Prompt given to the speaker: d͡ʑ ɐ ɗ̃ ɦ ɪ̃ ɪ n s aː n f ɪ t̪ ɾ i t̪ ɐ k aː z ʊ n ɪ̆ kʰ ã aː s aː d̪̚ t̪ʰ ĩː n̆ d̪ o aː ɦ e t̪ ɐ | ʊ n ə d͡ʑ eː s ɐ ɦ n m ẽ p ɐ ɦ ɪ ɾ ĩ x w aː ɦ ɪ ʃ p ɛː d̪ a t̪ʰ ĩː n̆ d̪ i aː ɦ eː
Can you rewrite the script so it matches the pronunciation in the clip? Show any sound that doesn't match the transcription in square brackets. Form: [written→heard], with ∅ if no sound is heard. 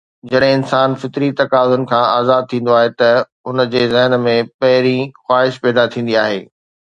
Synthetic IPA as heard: d͡ʑ ɐ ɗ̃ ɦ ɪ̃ ɪ n s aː n f ɪ t̪ ɾ i t̪ ɐ k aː z ʊ n ɪ̆ kʰ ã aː [s→z] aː d̪̚ t̪ʰ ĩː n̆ d̪ o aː ɦ e t̪ ɐ | ʊ n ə d͡ʑ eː [s→z] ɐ ɦ n m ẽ p ɐ ɦ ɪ ɾ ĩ x w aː ɦ ɪ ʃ p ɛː d̪ a t̪ʰ ĩː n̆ d̪ i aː ɦ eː